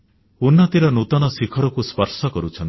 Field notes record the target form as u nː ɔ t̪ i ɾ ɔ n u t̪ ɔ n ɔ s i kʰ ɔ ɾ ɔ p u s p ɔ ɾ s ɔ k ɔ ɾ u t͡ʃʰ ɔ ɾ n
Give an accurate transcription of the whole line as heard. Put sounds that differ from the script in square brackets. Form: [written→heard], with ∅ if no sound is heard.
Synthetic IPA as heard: u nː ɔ t̪ i ɾ ɔ n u t̪ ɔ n ɔ s i kʰ ɔ ɾ ɔ [p→k] u s p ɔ ɾ s ɔ k ɔ ɾ u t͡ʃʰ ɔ [ɾ→∅] n

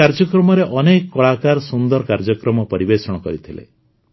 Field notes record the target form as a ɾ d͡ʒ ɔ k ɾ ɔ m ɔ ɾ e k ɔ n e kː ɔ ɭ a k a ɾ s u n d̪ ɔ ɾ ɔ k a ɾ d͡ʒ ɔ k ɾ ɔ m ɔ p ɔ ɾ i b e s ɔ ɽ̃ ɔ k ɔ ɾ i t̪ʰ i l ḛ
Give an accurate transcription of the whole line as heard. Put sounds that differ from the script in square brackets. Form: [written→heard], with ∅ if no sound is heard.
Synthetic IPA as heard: a ɾ d͡ʒ ɔ k ɾ ɔ m ɔ ɾ e [k→ʔ] ɔ n e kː ɔ ɭ a k a ɾ s u n d̪ ɔ ɾ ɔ k a ɾ d͡ʒ ɔ k ɾ ɔ m ɔ p ɔ ɾ i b e s ɔ ɽ̃ ɔ k ɔ ɾ i t̪ʰ i l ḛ

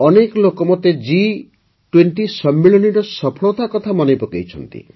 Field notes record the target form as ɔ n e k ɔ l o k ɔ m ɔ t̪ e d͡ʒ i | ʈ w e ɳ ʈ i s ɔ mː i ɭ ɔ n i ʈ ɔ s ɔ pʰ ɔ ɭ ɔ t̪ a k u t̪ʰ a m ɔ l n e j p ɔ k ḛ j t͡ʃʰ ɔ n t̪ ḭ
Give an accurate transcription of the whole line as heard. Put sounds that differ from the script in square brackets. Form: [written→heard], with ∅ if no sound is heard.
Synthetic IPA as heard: ɔ n e k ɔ l o k ɔ m ɔ t̪ e d͡ʒ i | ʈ w e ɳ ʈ i s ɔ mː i ɭ ɔ n i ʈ ɔ s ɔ pʰ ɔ ɭ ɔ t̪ a k [u→ɔ] t̪ʰ a m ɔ [l→∅] n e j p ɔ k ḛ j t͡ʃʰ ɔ n t̪ ḭ

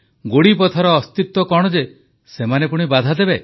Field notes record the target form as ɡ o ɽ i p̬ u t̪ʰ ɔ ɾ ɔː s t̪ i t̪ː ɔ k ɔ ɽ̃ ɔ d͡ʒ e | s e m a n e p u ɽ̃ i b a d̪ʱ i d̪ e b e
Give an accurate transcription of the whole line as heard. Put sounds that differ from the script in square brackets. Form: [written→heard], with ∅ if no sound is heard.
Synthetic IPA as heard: ɡ o ɽ i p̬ [u→ɔ] t̪ʰ ɔ ɾ ɔː s t̪ i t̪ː ɔ k ɔ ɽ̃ ɔ d͡ʒ e | s e m a n e p u ɽ̃ i b a d̪ʱ [i→a] d̪ e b e

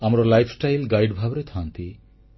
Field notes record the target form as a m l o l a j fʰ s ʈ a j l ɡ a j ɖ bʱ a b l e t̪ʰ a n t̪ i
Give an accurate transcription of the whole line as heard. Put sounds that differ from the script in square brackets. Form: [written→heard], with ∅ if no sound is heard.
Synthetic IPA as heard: a m [l→ɾ] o l a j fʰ s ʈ a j l ɡ a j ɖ bʱ a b [l→ɾ] e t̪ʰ a n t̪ i

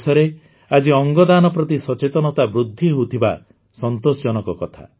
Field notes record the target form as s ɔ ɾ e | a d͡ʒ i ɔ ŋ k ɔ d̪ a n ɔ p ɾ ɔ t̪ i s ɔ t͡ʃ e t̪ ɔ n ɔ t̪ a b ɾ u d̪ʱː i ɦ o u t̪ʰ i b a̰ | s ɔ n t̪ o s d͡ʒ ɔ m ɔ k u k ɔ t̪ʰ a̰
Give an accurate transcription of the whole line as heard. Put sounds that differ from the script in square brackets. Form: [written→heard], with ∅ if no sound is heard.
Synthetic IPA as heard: s ɔ ɾ e | a d͡ʒ i ɔ ŋ [k→ɡ] ɔ d̪ a n ɔ p ɾ ɔ t̪ i s ɔ t͡ʃ e t̪ ɔ n ɔ t̪ a b ɾ u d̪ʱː i ɦ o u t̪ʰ i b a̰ | s ɔ n t̪ o s d͡ʒ ɔ [m→n] ɔ k [u→ɔ] k ɔ t̪ʰ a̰

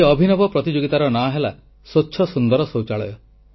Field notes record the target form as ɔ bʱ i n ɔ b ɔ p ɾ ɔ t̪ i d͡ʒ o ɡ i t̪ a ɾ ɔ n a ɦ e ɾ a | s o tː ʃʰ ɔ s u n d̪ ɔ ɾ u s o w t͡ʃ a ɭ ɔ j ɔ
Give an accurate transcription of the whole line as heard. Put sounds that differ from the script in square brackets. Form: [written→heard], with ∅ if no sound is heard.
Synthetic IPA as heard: ɔ bʱ i n ɔ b ɔ p ɾ ɔ t̪ i d͡ʒ o ɡ i t̪ a ɾ ɔ n a ɦ e [ɾ→l] a | s o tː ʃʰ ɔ s u n d̪ ɔ ɾ [u→ɔ] s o w t͡ʃ a ɭ ɔ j ɔ

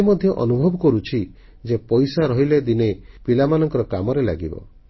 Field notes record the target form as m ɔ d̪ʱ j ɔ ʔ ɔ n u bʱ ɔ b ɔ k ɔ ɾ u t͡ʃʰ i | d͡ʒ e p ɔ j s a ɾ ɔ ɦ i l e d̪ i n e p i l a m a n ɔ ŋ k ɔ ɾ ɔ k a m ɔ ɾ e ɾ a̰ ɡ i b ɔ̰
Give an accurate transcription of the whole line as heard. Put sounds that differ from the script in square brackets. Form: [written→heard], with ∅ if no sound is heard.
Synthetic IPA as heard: m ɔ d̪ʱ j ɔ ʔ ɔ n u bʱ ɔ b ɔ k ɔ ɾ u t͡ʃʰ i | d͡ʒ e p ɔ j s a ɾ ɔ ɦ i l e d̪ i n e p i l a m a n ɔ ŋ k ɔ ɾ ɔ k a m ɔ ɾ e [ɾ→l] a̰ ɡ i b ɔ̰

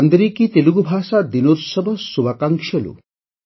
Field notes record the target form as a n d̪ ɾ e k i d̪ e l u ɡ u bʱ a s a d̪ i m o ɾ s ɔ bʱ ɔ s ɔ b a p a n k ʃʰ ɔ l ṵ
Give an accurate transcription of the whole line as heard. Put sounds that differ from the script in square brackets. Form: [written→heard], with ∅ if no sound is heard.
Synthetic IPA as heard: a n d̪ ɾ [e→i] k i [d̪→t̪] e l u ɡ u bʱ a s a d̪ i [m→n] o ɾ s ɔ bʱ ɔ s [ɔ→u] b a [p→k] a [n→ŋ] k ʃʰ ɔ l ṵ

